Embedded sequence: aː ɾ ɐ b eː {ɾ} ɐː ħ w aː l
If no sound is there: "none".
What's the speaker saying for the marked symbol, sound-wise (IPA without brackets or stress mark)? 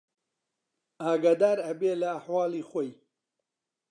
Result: l